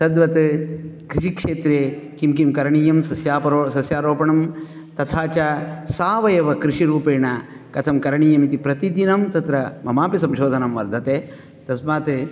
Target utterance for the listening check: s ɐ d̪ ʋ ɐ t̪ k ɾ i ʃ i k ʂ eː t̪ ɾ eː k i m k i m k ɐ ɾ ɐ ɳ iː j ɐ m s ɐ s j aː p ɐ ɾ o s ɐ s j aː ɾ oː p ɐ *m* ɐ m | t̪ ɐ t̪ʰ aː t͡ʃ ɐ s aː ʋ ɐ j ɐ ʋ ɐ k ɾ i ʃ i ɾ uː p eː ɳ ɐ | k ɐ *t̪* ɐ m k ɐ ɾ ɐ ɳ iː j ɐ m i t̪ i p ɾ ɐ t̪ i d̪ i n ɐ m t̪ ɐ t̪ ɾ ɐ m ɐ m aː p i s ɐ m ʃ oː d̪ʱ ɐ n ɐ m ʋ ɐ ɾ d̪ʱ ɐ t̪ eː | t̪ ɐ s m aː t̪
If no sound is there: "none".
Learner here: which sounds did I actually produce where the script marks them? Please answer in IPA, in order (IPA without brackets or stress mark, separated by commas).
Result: ɳ, t̪ʰ